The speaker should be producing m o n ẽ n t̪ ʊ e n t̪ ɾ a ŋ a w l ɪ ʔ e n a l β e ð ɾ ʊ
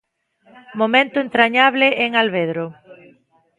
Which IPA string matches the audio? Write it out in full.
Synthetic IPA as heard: m o m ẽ n t̪ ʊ e n t̪ ɾ a ɲ a β l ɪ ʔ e ŋ a l β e ð ɾ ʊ